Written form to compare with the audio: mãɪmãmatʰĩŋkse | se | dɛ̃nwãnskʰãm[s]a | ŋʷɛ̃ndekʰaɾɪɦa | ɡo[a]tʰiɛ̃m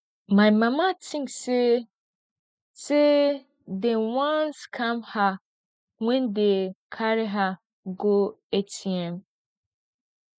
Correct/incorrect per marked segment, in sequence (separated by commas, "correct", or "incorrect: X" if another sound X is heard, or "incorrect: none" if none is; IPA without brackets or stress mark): incorrect: h, incorrect: e